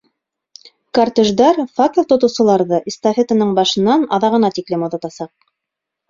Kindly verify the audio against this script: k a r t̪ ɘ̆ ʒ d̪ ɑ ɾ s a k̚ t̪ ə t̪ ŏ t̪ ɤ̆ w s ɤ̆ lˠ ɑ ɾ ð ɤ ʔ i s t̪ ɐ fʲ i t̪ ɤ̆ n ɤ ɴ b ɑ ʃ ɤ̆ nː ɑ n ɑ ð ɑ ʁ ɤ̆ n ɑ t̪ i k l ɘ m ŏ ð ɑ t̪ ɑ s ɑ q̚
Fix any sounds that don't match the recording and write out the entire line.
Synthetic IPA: k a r t̪ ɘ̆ ʒ d̪ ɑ ɾ f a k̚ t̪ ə t̪ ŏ t̪ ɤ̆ w s ɤ̆ lˠ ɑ ɾ ð ɤ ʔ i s t̪ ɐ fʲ e t̪ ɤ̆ n ɤ ɴ b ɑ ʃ ɤ̆ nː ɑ n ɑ ð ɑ ʁ ɤ̆ n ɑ t̪ i k l ɘ m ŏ ð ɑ t̪ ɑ s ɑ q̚